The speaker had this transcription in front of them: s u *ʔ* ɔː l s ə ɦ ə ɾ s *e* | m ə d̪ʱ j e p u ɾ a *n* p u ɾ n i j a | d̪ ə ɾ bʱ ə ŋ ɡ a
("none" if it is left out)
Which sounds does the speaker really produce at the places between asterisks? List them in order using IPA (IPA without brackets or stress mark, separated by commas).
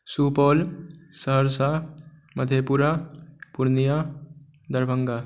p, a, none